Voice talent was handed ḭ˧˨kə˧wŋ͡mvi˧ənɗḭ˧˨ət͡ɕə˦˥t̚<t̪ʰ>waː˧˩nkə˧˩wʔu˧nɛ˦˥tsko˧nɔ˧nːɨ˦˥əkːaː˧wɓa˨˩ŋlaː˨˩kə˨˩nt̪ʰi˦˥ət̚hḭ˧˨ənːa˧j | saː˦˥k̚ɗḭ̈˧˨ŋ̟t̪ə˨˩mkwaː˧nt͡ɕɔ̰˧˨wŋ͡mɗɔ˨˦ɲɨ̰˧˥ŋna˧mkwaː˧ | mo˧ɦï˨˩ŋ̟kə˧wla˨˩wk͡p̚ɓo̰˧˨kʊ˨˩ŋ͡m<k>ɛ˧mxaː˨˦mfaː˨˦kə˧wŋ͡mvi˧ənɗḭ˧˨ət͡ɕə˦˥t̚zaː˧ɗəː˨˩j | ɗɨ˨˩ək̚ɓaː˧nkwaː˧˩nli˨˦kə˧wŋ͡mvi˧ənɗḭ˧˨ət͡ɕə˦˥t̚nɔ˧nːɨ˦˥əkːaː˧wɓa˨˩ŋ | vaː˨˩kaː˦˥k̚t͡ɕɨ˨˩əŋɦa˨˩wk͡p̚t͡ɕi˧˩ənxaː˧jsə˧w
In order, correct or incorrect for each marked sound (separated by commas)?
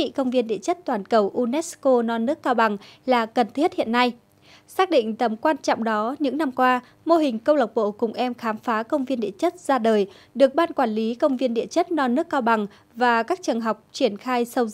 incorrect, incorrect